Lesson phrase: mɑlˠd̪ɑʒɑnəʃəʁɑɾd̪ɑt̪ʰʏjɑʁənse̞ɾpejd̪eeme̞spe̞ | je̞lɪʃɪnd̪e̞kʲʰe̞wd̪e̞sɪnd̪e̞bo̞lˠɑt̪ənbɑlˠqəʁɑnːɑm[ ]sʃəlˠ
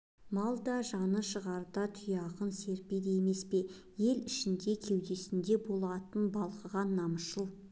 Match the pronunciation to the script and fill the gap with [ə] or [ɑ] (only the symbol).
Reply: ə